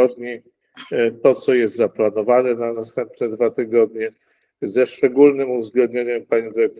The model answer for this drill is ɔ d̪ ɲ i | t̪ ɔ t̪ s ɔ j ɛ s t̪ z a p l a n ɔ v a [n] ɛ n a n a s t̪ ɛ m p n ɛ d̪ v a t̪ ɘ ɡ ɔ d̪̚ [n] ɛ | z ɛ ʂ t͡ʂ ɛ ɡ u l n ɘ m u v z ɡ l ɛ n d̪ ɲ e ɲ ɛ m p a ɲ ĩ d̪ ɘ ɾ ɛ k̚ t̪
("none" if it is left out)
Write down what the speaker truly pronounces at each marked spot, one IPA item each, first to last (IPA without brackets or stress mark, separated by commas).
n, ɲ